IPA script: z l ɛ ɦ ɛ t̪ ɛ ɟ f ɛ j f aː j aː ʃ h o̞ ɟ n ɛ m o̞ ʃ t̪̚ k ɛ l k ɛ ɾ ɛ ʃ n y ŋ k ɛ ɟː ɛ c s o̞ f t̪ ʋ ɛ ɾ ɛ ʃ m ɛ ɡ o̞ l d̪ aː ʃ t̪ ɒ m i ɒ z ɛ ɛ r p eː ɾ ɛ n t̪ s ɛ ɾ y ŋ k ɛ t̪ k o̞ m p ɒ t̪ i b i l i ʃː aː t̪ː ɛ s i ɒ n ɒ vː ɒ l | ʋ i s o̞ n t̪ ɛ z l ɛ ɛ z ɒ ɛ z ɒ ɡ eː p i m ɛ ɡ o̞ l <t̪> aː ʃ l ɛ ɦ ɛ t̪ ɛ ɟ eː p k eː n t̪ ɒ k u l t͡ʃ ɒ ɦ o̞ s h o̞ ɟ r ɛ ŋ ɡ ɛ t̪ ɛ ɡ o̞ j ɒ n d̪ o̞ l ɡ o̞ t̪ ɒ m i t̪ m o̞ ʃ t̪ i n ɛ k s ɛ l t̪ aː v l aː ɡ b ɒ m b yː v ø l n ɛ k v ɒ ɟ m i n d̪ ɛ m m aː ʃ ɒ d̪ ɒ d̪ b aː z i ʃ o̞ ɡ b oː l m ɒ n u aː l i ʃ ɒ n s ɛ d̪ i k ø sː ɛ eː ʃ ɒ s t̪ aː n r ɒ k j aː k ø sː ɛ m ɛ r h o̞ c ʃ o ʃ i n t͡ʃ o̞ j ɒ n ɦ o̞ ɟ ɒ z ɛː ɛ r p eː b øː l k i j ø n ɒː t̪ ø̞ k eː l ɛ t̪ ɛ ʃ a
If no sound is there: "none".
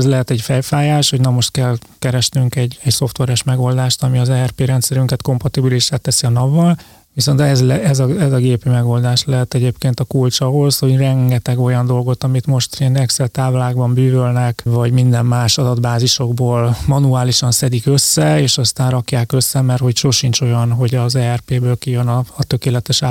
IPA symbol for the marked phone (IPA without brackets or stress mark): d̪